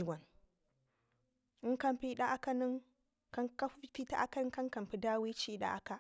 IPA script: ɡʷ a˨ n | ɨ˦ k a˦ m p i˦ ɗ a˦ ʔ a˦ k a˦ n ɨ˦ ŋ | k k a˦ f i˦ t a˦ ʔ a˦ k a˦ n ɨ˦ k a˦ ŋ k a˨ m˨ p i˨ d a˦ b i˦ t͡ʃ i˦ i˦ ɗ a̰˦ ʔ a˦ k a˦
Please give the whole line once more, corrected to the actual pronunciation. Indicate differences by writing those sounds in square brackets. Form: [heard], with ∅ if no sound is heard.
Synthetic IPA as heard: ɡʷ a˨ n | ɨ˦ k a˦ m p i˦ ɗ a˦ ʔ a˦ k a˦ n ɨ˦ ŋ | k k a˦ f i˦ t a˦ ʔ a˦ k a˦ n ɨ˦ k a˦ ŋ k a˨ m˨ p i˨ d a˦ [w] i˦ t͡ʃ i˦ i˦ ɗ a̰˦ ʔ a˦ k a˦

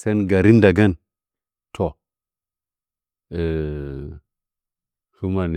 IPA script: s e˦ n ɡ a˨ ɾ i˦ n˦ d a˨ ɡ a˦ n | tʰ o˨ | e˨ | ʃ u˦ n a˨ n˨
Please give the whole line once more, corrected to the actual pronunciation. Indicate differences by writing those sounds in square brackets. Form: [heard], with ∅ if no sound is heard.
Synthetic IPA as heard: s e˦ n ɡ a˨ ɾ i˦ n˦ d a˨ ɡ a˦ n | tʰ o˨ | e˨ | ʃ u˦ [m] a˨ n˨

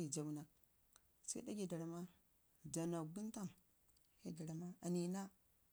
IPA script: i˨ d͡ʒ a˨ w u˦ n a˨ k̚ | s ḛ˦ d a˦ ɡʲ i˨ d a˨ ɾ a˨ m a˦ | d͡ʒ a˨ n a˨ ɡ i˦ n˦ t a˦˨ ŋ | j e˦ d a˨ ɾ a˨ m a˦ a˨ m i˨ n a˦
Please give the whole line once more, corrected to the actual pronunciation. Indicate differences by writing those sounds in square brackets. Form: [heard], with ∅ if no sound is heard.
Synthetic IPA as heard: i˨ d͡ʒ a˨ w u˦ n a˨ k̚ | s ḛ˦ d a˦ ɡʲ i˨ d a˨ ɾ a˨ m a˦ | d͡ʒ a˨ n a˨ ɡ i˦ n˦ t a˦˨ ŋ | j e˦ d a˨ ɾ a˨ m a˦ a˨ [n] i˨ n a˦

